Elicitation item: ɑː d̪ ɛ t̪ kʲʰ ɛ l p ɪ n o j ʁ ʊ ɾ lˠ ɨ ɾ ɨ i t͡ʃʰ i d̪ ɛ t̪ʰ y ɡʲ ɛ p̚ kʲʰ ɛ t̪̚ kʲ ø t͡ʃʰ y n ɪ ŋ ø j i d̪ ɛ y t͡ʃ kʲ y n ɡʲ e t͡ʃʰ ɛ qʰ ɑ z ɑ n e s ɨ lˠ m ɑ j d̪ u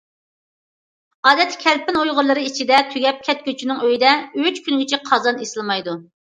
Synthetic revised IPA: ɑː d̪ ɛ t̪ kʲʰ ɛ l p ɪ n o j ʁ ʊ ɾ lˠ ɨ ɾ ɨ i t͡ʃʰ i d̪ ɛ t̪ʰ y ɡʲ ɛ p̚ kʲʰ ɛ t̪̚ kʲ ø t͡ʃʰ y n ɪ ŋ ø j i d̪ ɛ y t͡ʃ kʲ y n ɡʲ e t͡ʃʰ ɛ qʰ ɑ z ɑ n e s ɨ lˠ m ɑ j d̪ u